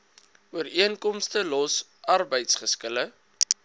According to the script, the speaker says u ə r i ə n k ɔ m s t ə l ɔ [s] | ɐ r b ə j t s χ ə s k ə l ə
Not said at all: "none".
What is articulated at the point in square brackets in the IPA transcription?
s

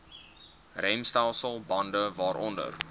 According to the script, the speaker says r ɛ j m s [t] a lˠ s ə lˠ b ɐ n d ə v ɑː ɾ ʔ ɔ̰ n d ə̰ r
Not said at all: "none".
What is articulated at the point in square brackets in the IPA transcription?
t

